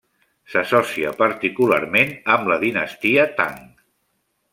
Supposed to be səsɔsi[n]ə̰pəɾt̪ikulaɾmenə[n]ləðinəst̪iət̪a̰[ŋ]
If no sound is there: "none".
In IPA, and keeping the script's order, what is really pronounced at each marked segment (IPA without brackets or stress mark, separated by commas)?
none, m, ŋ